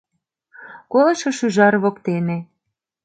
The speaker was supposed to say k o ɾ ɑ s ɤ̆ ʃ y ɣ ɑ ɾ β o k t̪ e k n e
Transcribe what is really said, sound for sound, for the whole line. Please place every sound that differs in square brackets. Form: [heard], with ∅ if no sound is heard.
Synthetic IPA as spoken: k o [l] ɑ [ʃ] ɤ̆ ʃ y [ʒ] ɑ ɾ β o k t̪ e [∅] n e